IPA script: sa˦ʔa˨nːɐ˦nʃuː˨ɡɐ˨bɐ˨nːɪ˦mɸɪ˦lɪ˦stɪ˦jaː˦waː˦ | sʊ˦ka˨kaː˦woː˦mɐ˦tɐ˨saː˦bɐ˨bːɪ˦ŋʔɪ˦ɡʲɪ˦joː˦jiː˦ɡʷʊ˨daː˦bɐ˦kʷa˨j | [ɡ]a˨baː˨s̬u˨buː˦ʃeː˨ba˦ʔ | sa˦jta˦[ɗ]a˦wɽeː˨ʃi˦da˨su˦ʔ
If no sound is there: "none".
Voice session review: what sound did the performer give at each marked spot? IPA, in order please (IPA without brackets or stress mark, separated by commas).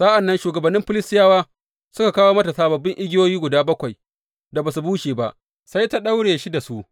d, ɗ